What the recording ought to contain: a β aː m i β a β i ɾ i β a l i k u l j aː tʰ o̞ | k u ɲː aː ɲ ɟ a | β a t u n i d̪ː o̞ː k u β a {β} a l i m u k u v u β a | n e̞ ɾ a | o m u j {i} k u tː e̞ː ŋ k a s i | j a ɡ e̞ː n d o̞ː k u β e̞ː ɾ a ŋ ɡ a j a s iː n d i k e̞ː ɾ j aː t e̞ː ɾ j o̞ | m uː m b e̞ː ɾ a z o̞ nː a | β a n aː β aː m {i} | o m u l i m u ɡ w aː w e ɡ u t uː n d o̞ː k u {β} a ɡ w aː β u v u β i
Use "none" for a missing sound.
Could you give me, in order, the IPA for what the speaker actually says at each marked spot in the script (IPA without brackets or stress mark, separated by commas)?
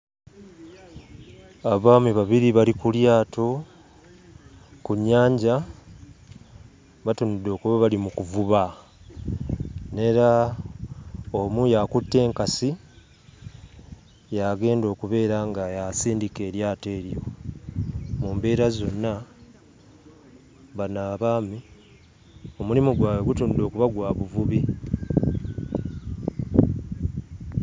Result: β, a, i, β